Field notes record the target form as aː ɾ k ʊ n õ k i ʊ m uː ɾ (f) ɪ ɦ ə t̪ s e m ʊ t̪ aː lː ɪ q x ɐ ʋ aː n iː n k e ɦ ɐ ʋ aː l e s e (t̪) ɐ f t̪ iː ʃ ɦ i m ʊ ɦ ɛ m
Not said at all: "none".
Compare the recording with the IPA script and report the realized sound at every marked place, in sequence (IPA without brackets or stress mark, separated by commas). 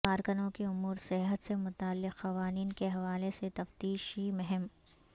s, t̪